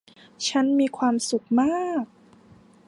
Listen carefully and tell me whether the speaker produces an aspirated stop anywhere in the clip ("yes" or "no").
yes